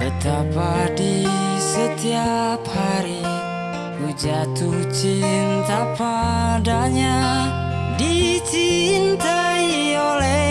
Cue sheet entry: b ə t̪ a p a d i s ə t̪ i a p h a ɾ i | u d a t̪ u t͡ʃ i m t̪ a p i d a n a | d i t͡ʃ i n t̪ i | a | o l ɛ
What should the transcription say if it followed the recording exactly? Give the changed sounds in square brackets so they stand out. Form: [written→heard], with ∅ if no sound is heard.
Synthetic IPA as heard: b ə t̪ a p a d i s ə t̪ i a p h a ɾ i | u [d→d͡ʒ] a t̪ u t͡ʃ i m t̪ a p [i→a] d a [n→ɲ] a | d i t͡ʃ i n t̪ [i→a] | [a→i] | o l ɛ